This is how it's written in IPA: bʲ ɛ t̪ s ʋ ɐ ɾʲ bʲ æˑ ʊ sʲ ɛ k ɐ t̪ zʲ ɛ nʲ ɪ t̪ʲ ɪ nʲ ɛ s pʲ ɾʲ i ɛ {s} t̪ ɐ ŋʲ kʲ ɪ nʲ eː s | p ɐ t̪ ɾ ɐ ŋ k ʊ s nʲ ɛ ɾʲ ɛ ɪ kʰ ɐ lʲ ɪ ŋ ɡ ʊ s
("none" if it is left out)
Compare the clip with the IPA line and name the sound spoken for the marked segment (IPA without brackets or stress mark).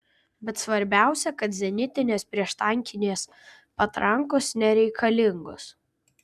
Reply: ʃ